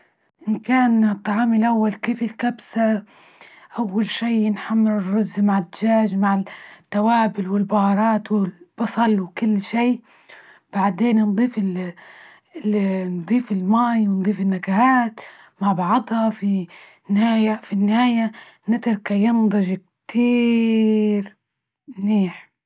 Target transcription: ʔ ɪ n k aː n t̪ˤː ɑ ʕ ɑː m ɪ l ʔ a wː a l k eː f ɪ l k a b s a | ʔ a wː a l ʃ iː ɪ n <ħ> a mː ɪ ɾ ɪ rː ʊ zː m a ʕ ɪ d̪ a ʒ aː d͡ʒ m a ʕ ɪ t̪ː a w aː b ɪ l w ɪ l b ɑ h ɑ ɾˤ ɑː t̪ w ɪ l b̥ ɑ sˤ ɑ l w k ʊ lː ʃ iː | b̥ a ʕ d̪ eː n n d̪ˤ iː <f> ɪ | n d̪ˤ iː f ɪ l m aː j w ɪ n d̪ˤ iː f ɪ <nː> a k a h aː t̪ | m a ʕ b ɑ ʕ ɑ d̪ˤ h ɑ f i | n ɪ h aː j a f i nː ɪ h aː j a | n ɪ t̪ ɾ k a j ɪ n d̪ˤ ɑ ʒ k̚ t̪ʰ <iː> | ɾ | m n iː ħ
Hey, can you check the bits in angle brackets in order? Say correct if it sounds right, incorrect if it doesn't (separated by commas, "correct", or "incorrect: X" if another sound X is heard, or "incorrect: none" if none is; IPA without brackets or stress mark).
correct, correct, correct, correct